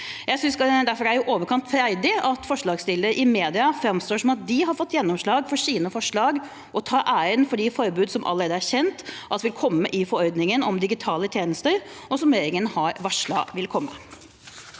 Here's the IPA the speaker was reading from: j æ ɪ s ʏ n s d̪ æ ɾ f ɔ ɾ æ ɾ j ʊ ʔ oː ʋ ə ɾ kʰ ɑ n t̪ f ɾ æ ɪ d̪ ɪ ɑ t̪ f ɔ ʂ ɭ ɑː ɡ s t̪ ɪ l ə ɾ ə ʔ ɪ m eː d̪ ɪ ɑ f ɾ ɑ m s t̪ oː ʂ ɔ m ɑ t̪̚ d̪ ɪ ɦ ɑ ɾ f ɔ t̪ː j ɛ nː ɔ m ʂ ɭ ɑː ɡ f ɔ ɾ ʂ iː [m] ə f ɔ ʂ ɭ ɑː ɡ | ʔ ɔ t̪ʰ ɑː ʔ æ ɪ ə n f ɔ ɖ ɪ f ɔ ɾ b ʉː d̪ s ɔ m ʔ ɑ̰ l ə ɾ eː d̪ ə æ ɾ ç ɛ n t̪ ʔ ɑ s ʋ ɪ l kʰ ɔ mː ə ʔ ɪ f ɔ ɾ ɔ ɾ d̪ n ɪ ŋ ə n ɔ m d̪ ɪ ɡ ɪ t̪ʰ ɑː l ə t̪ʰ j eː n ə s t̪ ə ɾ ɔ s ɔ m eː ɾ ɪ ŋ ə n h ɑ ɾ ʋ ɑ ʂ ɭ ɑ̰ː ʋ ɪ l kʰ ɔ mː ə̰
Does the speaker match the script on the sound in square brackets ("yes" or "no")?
no